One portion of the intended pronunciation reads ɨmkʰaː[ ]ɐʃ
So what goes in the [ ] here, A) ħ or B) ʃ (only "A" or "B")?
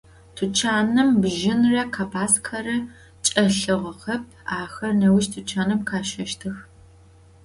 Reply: B